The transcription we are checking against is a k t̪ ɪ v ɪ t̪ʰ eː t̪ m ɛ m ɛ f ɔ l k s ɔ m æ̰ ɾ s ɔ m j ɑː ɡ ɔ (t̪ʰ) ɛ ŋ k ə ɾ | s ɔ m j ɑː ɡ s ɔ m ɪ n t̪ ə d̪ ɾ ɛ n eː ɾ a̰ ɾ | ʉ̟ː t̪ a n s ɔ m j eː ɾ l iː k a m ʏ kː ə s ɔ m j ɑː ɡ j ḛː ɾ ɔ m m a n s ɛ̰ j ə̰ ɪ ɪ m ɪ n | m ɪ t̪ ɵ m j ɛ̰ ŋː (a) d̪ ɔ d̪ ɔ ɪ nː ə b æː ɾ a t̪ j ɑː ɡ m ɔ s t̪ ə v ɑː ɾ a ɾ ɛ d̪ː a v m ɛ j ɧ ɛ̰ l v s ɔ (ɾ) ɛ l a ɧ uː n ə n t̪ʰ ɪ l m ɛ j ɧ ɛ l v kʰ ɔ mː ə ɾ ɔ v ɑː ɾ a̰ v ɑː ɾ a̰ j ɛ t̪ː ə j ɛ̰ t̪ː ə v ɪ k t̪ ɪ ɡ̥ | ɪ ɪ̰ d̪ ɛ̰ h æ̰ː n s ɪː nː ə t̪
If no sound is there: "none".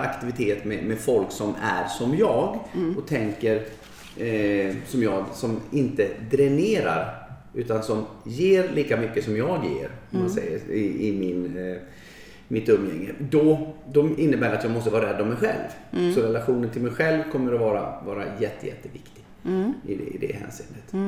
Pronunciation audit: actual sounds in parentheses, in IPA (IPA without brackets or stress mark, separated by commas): t̪ʰ, ə, ɾ